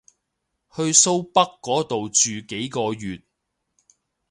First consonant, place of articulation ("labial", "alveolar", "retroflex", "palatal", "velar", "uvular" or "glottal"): glottal